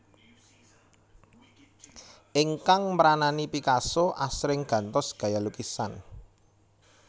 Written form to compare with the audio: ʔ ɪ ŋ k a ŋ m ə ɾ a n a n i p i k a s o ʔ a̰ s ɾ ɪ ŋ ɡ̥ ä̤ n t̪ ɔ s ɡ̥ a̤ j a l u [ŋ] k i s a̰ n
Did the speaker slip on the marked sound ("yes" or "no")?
yes